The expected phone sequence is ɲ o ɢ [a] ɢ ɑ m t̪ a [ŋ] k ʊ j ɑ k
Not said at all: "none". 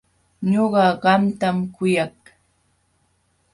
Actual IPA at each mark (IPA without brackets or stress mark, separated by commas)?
ɑ, m